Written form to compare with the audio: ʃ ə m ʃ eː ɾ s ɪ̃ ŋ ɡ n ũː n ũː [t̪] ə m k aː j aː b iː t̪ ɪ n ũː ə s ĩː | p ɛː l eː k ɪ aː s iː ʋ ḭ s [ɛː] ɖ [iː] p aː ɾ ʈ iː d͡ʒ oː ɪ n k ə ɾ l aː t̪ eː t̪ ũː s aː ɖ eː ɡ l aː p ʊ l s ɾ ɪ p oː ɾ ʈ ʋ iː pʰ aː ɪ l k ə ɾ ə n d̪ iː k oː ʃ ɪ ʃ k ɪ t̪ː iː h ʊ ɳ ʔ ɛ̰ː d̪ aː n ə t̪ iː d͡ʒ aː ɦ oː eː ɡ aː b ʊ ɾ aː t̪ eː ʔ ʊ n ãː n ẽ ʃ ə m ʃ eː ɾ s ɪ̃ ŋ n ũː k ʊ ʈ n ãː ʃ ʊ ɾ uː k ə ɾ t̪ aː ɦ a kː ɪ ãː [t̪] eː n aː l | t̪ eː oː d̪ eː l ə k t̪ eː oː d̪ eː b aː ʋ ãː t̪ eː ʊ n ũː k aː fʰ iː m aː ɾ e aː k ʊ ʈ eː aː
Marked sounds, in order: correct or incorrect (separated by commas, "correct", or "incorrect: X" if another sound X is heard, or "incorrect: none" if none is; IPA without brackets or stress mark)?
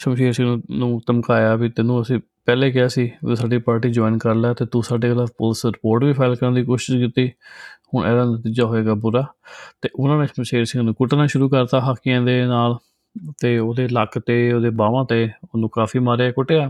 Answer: correct, incorrect: aː, correct, incorrect: d̪